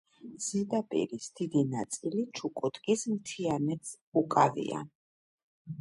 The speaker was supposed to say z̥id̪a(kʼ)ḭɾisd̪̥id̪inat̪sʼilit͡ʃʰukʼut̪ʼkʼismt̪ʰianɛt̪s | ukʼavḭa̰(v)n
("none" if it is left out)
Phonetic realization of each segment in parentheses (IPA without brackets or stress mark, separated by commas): pʼ, none